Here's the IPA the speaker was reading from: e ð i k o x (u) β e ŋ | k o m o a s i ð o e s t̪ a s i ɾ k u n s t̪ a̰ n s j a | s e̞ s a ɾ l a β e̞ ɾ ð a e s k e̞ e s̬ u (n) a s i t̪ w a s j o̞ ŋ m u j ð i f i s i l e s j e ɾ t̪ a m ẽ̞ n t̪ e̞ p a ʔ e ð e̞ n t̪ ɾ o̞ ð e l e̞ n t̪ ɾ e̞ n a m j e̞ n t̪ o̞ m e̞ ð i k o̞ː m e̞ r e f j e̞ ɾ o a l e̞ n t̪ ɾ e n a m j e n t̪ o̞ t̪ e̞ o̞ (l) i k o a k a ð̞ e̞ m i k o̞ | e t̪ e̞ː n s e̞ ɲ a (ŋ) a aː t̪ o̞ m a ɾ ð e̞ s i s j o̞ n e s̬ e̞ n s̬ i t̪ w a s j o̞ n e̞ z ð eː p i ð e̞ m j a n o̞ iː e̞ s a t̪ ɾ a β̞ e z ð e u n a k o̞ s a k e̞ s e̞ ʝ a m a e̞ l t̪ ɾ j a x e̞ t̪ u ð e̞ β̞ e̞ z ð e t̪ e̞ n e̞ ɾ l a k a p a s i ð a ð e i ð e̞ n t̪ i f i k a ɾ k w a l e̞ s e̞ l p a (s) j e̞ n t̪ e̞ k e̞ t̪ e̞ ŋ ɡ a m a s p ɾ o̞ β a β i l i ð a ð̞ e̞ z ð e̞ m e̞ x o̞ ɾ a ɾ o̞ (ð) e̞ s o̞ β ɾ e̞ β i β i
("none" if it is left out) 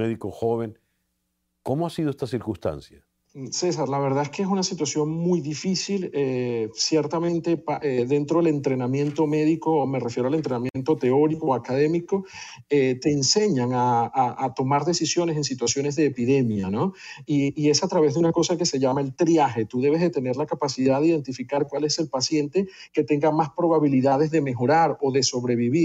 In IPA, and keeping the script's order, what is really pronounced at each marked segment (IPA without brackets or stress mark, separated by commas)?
o, n, ɾ, ŋ, s, ð